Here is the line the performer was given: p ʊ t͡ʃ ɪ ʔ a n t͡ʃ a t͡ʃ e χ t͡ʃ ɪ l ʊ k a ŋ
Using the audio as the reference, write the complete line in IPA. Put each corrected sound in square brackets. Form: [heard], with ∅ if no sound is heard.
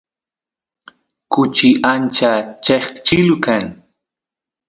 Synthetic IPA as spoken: [k] ʊ t͡ʃ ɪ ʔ a n t͡ʃ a t͡ʃ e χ t͡ʃ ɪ l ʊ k a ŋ